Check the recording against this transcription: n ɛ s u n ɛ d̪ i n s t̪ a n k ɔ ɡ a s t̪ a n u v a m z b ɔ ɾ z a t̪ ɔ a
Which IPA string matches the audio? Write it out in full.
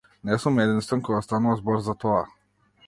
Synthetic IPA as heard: n ɛ s u m ɛ d̪ i n s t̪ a n k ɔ ɡ a s t̪ a n u v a z b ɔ ɾ z a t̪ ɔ a

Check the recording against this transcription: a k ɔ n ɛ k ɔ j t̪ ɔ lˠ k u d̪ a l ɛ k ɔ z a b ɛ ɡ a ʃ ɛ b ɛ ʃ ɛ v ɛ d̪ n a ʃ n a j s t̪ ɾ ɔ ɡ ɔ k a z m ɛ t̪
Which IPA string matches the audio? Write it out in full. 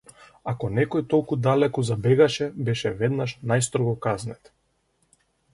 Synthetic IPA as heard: a k ɔ n ɛ k ɔ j t̪ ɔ lˠ k u d̪ a l ɛ k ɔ z a b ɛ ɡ a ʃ ɛ b ɛ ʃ ɛ v ɛ d̪ n a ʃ n a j s t̪ ɾ ɔ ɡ ɔ k a z n ɛ t̪

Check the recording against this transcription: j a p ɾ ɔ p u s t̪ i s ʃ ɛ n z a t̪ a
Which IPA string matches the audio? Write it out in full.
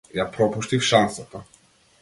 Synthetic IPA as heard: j a p ɾ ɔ p u ʃ t̪ i f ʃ a n s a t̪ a

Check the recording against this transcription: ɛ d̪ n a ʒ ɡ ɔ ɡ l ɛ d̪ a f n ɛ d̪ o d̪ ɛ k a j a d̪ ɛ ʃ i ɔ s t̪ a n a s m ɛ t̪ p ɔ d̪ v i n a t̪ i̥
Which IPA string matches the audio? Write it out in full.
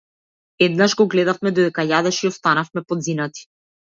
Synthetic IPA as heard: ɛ d̪ n a ʒ ɡ ɔ ɡ l ɛ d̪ a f m ɛ d̪ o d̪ ɛ k a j a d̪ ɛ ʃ i ɔ s t̪ a n a f m ɛ p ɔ d̪ z i n a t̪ i̥

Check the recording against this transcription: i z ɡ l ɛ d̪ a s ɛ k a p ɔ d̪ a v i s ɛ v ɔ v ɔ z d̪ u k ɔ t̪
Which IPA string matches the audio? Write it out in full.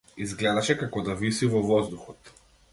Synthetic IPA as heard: i z ɡ l ɛ d̪ a ʃ ɛ k a k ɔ d̪ a v i s i v ɔ v ɔ z d̪ u x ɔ t̪

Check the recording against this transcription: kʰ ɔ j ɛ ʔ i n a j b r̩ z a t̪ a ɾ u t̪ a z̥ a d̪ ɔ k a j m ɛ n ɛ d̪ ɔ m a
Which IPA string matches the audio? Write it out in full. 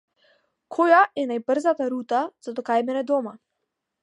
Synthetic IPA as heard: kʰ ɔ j a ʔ ɛ n a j b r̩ z a t̪ a ɾ u t̪ a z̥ a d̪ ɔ k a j m ɛ n ɛ d̪ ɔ m a

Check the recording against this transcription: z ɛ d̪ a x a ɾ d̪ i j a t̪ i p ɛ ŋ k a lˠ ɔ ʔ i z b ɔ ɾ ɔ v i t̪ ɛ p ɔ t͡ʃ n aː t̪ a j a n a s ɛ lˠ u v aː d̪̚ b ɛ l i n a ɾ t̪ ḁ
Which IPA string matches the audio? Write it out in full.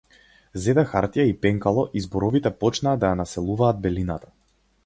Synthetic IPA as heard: z ɛ d̪ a x a ɾ t̪ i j a i p ɛ ŋ k a lˠ ɔ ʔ i z b ɔ ɾ ɔ v i t̪ ɛ p ɔ t͡ʃ n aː d̪ a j a n a s ɛ lˠ u v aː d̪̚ b ɛ l i n a t̪ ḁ

